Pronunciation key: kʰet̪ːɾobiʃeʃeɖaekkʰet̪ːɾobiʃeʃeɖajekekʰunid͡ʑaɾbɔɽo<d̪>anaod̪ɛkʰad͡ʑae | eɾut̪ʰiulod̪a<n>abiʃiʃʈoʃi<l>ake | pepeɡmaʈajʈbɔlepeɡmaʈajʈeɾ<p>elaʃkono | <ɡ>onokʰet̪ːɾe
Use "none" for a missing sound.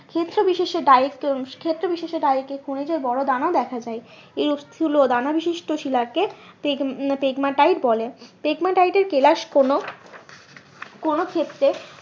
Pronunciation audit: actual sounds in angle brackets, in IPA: d̪, n, l, k, k

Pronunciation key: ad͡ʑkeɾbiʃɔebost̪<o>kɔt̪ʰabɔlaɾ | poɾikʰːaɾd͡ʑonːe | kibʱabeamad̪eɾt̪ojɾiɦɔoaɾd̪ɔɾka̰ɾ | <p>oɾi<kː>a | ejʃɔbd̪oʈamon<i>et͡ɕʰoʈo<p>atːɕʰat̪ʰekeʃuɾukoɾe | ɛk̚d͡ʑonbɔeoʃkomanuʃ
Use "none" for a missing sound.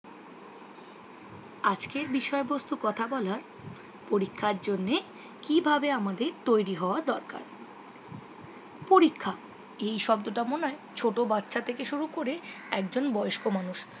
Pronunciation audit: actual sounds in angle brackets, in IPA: u, p, kʰː, a, b

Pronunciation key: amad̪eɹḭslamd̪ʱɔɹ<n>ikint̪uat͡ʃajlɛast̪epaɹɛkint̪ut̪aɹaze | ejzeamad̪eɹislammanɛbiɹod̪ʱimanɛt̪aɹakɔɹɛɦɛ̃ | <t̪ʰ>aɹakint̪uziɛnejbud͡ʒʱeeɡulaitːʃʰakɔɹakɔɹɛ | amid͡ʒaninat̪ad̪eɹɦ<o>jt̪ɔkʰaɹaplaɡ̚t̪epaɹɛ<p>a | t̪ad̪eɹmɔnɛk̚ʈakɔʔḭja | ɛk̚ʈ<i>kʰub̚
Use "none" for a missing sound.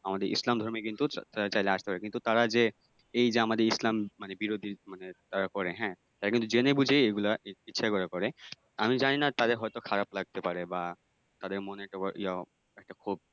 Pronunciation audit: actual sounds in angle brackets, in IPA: m, t̪, ɔ, b, a

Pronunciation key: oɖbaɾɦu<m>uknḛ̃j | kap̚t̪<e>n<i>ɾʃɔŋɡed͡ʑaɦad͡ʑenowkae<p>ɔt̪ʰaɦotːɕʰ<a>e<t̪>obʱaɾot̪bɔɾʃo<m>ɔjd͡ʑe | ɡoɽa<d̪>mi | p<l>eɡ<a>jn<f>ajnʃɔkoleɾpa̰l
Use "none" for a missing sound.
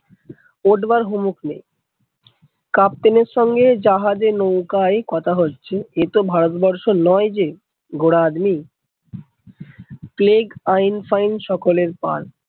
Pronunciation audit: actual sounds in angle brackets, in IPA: m, e, e, k, e, t̪, n, d̪, l, a, f

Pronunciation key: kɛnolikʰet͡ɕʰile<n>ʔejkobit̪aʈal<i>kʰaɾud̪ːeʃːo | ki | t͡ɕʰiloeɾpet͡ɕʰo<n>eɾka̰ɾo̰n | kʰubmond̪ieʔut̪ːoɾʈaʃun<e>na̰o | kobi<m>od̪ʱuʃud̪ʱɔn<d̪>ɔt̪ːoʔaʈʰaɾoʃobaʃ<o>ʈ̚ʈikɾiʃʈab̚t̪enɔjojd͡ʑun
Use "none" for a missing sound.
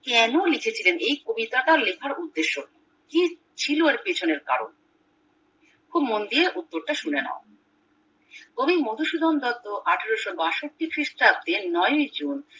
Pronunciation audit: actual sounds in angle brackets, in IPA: n, e, n, e, m, d̪, o

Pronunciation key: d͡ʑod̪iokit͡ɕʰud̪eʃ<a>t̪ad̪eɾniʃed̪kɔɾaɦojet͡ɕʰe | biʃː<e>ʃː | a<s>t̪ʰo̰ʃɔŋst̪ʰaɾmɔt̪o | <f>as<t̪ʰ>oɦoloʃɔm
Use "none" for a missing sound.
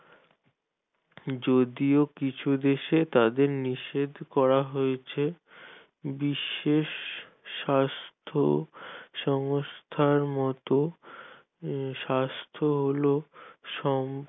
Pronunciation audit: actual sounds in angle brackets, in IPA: e, e, s, ʃ, t̪ʰ

